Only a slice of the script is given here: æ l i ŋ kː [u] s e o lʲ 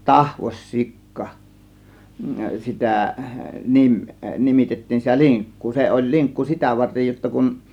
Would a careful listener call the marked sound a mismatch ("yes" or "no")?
yes